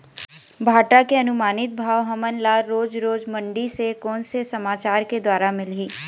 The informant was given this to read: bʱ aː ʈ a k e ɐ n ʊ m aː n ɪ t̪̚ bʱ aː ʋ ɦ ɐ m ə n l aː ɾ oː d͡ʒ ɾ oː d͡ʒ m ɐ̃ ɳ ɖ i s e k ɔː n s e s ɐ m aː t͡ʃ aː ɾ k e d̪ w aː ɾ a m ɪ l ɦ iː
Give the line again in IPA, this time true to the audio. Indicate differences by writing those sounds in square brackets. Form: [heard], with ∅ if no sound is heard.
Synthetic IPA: bʱ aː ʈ a k e ɐ n ʊ m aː n ɪ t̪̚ bʱ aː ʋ ɦ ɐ m ə n l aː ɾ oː d͡ʒ ɾ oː d͡ʒ m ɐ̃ ɳ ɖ i s e k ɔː n s e s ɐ m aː t͡ʃ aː ɾ k e d̪ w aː ɾ a m ɪ l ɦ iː